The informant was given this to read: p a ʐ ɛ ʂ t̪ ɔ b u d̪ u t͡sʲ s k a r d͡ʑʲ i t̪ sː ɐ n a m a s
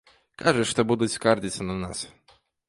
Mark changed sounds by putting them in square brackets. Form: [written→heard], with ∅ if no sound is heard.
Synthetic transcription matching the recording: [p→k] a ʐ ɛ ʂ t̪ ɔ b u d̪ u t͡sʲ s k a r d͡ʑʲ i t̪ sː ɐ n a [m→n] a s